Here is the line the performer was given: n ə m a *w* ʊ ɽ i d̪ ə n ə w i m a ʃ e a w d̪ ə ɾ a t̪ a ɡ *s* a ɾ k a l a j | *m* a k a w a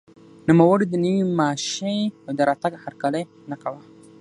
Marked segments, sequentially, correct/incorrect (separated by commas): correct, incorrect, incorrect